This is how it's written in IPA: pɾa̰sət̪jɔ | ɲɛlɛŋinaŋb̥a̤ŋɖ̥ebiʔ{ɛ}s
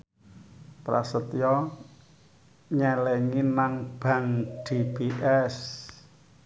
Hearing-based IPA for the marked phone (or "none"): ɛ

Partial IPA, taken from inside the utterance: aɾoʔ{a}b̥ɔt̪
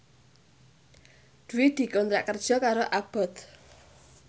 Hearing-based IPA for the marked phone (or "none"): a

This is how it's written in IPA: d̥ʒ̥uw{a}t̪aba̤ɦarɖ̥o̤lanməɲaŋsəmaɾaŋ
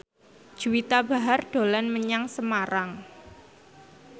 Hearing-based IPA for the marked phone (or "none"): i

